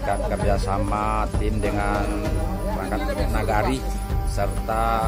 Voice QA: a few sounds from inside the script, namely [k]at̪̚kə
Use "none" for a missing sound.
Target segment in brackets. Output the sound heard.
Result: k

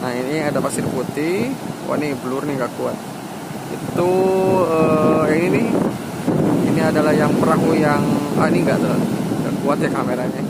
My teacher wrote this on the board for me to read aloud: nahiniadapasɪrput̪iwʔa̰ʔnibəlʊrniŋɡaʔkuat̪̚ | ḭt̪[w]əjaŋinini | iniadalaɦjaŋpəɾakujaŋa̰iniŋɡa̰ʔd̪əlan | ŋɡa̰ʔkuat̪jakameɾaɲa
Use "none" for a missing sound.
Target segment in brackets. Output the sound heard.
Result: u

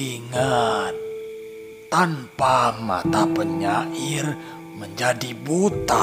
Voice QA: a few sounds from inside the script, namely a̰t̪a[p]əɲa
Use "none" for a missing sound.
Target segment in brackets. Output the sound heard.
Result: p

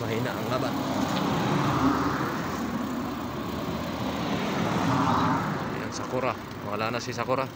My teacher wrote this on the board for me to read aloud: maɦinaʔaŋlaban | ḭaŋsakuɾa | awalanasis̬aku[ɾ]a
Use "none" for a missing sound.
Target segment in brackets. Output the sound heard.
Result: ɾ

